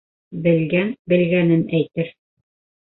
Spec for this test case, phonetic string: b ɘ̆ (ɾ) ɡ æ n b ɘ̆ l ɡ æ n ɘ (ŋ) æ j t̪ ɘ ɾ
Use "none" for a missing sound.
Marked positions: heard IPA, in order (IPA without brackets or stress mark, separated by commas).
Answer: l, n